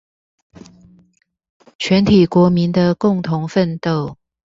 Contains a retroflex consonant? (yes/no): no